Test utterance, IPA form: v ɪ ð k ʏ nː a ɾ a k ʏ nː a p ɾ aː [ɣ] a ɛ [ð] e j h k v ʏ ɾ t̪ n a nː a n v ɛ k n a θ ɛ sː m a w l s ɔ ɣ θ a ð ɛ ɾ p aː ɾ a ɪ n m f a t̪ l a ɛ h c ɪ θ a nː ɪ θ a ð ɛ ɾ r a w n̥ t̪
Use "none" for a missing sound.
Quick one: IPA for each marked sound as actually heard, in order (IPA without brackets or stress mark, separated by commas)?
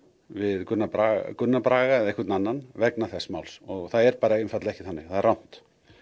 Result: ɣ, ð